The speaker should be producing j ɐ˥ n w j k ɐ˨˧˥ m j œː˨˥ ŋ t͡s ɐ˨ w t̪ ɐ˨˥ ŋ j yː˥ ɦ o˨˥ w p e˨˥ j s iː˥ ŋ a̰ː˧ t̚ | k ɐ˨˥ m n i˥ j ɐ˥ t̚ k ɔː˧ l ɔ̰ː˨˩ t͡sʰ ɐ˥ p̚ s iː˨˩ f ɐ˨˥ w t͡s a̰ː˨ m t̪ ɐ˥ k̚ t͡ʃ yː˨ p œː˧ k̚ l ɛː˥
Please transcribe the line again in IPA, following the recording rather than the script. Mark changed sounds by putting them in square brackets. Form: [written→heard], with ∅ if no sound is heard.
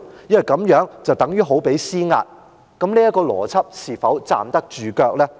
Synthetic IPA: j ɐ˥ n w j k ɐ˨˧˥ m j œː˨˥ ŋ t͡s ɐ˨ w t̪ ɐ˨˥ ŋ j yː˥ ɦ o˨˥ w p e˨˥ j s iː˥ ŋ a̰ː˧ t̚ | k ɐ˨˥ m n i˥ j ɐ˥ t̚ k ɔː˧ l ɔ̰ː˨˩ t͡sʰ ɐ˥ p̚ s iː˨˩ f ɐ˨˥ w t͡s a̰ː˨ m t̪ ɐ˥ k̚ t͡ʃ yː˨ [p→k] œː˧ k̚ l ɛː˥